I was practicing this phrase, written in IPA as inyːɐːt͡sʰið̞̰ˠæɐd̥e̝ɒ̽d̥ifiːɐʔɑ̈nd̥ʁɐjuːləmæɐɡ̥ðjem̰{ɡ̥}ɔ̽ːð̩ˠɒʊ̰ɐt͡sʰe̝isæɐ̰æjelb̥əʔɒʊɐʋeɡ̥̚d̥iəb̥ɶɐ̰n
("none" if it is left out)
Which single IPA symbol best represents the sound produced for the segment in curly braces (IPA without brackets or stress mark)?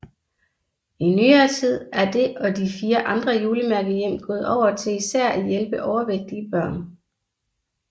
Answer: ɡ̥